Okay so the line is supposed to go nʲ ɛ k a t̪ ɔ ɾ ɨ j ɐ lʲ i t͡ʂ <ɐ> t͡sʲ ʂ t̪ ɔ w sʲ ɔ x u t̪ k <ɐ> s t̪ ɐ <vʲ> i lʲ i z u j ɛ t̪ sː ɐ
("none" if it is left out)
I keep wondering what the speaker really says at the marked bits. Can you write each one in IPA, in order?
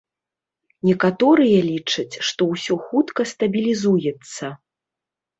ɐ, ɐ, bʲ

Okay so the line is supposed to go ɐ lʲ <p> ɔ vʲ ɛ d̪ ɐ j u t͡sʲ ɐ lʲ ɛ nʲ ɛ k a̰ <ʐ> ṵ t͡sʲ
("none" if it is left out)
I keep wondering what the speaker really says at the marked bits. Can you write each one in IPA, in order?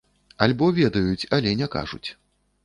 b, ʐ

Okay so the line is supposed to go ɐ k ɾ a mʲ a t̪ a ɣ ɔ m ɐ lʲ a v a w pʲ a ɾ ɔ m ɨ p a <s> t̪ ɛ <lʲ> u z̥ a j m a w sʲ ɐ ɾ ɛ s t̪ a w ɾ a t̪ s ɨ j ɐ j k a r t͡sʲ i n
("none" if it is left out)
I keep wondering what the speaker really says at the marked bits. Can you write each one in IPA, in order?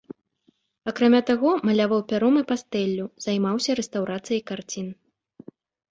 s, lʲː

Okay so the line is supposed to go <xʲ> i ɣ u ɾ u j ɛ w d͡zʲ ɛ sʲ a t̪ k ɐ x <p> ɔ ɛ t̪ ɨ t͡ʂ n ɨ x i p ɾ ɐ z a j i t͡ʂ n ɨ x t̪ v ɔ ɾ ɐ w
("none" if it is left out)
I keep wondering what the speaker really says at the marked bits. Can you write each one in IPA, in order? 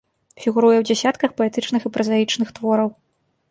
fʲ, p

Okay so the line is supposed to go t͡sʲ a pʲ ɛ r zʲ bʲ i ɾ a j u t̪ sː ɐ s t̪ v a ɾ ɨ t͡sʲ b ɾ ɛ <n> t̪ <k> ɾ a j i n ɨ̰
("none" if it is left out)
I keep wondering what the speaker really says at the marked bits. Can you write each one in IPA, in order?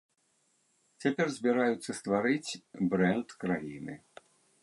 n, k

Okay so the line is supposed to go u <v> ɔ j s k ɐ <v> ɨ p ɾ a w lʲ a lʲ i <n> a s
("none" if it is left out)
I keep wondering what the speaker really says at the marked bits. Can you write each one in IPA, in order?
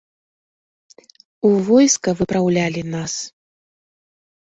v, v, n

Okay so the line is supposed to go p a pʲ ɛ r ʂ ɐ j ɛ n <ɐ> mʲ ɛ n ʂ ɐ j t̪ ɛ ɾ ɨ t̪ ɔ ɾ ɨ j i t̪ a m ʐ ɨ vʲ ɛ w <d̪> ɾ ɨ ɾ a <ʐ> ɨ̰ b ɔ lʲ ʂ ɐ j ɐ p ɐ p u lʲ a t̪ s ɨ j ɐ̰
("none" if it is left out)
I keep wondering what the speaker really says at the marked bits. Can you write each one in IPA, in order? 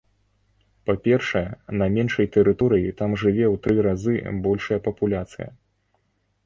ɐ, t̪, z

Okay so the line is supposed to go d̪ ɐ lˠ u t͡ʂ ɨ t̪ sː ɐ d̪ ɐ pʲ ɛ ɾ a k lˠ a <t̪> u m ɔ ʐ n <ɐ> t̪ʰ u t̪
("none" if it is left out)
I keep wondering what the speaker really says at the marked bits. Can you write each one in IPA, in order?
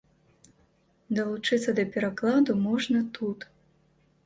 d̪, ɐ

